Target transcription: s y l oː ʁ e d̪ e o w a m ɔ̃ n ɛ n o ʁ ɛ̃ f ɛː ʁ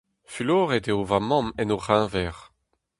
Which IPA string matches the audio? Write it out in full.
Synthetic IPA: f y l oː ʁ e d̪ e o v a m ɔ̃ m ɛ n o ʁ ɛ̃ v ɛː ʁ